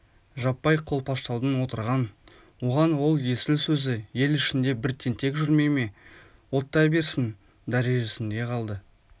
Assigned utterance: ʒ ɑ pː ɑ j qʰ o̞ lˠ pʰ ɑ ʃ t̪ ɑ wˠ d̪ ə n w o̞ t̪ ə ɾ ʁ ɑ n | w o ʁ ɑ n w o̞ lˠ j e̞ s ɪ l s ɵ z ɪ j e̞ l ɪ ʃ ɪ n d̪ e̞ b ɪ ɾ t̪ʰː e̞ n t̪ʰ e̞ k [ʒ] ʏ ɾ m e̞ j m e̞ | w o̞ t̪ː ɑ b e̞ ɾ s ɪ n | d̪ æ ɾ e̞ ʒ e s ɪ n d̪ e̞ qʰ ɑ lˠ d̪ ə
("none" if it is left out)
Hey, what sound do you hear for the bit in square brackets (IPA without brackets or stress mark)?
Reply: ʒ